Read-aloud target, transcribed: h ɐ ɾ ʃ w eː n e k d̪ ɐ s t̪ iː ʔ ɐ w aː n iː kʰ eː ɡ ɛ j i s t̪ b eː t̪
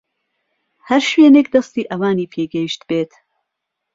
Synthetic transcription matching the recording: h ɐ ɾ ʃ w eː n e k d̪ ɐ s t̪ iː ʔ ɐ w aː n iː pʰ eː ɡ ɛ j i ʃ t̪ b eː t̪

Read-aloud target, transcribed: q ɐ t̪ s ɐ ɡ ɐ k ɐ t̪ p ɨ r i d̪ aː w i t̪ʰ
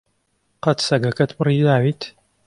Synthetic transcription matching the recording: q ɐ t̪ s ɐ ɡ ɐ k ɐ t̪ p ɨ r i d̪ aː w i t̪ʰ

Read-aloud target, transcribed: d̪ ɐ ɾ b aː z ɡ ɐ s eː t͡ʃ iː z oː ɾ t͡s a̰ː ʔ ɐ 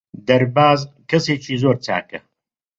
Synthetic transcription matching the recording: d̪ ɐ ɾ b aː z k ɐ s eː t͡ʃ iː z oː ɾ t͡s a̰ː k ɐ

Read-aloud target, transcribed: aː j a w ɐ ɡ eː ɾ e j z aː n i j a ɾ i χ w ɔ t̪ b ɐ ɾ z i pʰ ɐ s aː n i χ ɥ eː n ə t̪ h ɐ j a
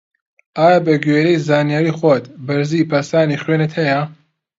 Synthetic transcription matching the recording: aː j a b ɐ ɡ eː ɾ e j z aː n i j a ɾ i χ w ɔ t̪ b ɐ ɾ z i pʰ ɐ s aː n i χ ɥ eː n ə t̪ h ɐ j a

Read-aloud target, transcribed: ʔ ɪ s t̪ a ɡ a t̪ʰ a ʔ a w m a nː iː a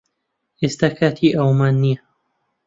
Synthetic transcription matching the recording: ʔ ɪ s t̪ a k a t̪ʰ i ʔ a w m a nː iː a

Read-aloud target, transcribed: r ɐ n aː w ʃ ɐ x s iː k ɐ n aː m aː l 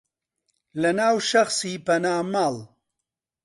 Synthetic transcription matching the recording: l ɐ n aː w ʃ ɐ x s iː p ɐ n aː m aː l

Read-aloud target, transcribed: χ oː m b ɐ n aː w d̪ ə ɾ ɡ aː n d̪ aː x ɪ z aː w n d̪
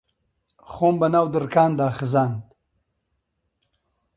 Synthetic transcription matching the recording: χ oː m b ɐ n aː w d̪ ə ɾ k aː n d̪ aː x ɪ z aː n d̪

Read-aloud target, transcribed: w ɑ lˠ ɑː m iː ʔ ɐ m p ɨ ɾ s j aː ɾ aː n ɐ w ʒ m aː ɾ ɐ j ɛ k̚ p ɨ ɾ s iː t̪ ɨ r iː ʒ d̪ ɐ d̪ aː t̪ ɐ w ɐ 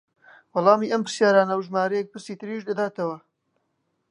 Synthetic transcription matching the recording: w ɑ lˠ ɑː m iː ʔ ɐ m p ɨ ɾ s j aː ɾ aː n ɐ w ʒ m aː ɾ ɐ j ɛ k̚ p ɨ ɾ s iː t̪ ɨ ɾ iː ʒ d̪ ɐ d̪ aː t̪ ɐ w ɐ

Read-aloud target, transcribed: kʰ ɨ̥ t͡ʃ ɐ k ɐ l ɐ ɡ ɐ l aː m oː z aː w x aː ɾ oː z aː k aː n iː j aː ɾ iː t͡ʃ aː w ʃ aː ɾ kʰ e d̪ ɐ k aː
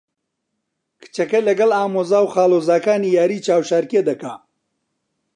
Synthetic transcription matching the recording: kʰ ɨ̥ t͡ʃ ɐ k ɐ l ɐ ɡ ɐ l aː m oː z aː w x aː l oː z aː k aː n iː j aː ɾ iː t͡ʃ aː w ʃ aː ɾ k e d̪ ɐ k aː

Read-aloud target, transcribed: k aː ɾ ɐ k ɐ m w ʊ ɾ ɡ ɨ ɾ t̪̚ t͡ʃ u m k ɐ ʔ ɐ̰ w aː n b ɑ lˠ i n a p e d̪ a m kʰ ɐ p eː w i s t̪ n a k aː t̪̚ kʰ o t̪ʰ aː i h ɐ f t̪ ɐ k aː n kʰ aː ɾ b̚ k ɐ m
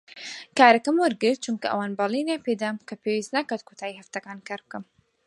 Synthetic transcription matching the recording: k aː ɾ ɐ k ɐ m w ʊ ɾ ɡ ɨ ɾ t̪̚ t͡ʃ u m k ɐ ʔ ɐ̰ w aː n b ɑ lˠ i n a p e d̪ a m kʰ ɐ p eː w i s t̪ n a k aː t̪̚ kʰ o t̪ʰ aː i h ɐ f t̪ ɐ k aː n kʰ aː ɾ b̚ k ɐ m

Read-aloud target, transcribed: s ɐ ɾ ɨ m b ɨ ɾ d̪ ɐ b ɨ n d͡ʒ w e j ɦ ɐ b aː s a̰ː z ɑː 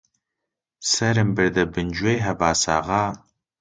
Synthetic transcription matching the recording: s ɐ ɾ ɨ m b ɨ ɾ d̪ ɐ b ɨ n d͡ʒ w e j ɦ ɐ b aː s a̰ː ʁ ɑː

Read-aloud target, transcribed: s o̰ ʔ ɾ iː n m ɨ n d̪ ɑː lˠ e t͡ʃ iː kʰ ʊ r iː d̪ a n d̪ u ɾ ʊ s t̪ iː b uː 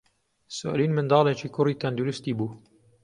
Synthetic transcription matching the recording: s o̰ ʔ l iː n m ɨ n d̪ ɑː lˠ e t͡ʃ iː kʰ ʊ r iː t̪ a n d̪ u ɾ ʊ s t̪ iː b uː

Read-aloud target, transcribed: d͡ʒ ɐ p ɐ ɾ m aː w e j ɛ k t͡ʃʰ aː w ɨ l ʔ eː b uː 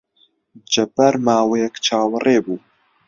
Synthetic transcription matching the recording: d͡ʒ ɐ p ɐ ɾ m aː w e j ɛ k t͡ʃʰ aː w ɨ r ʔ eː b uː

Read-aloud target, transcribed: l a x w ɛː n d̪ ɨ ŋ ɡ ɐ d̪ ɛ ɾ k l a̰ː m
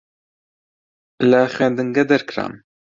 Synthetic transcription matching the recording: l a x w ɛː n d̪ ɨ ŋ ɡ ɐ d̪ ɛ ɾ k ɾ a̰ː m

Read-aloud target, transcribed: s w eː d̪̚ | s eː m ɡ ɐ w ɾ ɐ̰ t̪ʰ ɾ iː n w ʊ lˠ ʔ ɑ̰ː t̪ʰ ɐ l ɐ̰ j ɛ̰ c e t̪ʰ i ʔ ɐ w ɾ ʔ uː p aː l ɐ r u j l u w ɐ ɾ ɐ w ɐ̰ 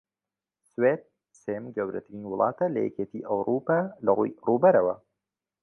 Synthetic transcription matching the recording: s w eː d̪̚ | s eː m ɡ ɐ w ɾ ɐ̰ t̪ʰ ɾ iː n w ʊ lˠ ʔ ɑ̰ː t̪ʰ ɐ l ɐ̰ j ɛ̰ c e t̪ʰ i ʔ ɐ w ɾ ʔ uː p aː l ɐ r u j r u b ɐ ɾ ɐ w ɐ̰

